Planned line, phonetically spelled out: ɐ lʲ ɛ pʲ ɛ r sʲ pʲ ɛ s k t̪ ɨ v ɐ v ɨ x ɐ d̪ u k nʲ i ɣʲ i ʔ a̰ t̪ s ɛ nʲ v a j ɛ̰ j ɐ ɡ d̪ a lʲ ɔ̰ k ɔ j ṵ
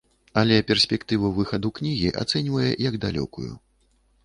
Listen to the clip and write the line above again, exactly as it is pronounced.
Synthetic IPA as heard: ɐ lʲ ɛ pʲ ɛ r sʲ pʲ ɛ k t̪ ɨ v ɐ v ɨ x ɐ d̪ u k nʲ i ɣʲ i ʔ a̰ t̪ s ɛ nʲ v ɐ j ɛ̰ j ɐ ɡ d̪ a lʲ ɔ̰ k u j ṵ